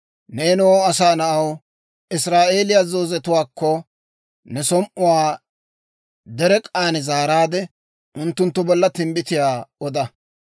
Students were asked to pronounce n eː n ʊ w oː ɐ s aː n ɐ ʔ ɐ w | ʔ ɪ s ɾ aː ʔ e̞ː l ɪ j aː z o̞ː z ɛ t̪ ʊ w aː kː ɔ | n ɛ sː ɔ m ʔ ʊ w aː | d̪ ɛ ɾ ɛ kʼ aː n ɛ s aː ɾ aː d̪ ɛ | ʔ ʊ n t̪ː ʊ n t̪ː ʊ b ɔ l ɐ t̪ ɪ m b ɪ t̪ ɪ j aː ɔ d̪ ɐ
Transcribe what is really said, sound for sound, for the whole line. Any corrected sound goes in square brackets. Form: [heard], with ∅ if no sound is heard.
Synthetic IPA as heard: n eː n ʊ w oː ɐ s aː n ɐ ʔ ɐ w | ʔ ɪ s ɾ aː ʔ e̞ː l ɪ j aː z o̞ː z ɛ t̪ ʊ w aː kː ɔ | n ɛ [s] ɔ m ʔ ʊ w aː | d̪ ɛ ɾ ɛ kʼ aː n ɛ [z] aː ɾ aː d̪ ɛ | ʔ ʊ n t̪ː ʊ n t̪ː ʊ b ɔ [lː] ɐ t̪ ɪ m b ɪ t̪ ɪ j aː ɔ d̪ ɐ